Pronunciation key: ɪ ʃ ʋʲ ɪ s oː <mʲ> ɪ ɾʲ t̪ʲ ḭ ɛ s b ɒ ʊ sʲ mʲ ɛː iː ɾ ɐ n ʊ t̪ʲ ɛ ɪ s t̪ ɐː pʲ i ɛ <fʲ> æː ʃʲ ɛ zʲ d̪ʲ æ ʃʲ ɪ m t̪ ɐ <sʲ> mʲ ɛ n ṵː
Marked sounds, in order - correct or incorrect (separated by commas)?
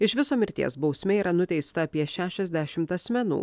correct, incorrect, correct